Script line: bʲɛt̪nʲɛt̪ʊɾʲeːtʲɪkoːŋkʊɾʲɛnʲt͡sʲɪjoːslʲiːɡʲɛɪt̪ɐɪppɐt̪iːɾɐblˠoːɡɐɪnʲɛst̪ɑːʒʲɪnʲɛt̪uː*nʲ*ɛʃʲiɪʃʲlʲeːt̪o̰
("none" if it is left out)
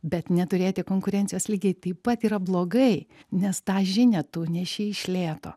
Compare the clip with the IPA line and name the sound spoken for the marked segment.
nʲ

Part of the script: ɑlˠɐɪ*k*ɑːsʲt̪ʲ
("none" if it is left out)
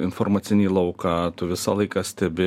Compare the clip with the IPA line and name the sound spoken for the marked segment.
k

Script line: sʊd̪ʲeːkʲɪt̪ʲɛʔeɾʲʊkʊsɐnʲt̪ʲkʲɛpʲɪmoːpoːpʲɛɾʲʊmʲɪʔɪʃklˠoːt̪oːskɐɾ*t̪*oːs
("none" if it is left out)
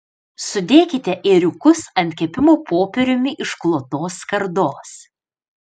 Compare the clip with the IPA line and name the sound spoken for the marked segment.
d̪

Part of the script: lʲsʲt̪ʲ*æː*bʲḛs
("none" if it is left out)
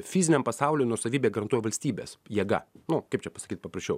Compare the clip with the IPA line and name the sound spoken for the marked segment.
iː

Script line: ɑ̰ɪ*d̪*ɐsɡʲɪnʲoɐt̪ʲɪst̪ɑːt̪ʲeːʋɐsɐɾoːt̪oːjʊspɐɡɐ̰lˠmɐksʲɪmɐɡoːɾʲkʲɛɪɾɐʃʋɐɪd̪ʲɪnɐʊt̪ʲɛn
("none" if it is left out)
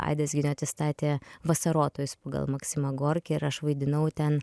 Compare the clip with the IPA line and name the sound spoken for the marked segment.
d̪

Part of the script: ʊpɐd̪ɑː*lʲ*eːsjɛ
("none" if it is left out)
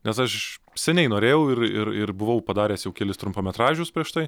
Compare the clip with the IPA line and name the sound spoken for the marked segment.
ɾʲ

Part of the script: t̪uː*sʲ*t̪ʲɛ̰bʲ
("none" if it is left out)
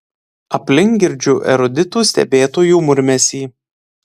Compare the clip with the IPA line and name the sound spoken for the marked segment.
sʲ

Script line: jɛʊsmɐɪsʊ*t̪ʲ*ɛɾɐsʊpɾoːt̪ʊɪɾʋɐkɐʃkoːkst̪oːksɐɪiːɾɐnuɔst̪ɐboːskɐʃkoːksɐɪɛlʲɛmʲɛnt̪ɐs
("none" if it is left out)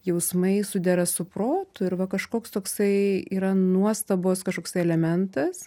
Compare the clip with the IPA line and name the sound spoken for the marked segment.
d̪ʲ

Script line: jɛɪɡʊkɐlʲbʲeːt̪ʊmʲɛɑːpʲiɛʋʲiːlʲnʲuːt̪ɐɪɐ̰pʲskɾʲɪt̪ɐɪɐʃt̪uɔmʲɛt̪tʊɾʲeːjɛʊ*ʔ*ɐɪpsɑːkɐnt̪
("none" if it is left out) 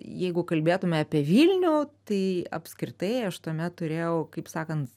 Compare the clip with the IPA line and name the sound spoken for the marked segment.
k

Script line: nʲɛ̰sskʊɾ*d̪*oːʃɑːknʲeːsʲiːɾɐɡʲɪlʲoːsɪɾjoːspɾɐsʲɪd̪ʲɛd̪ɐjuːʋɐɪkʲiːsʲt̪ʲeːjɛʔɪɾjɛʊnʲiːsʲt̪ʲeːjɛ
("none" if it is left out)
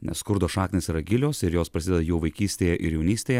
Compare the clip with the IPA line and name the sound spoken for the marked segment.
d̪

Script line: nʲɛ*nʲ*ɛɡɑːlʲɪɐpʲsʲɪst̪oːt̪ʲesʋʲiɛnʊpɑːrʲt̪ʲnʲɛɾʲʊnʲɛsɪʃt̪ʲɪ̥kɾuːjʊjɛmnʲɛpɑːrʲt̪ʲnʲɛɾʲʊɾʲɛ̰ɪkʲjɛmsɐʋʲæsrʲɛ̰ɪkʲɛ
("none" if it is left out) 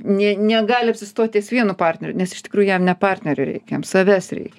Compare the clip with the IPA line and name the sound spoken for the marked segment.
nʲ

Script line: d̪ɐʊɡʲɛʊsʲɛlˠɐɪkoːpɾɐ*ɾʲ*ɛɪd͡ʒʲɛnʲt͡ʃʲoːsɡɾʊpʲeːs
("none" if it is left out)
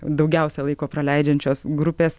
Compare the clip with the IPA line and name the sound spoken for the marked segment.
lʲ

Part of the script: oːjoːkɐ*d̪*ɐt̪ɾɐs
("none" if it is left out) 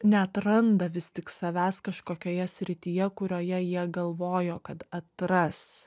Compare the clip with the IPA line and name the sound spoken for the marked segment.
t̪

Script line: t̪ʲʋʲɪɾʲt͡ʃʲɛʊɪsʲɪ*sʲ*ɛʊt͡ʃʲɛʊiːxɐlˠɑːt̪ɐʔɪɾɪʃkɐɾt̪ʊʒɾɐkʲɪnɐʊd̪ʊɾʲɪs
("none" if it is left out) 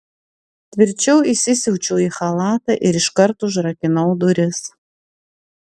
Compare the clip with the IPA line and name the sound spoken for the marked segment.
sʲ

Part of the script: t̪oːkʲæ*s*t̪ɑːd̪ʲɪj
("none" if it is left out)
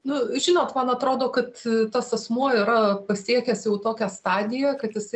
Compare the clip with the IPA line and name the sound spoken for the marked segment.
s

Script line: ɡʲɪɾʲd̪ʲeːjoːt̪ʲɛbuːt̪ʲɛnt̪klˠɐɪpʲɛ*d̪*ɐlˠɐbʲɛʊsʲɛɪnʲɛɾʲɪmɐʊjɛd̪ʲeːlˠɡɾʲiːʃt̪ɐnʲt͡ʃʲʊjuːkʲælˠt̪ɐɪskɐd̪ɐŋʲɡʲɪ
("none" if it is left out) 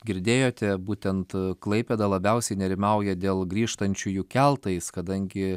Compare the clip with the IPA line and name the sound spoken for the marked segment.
d̪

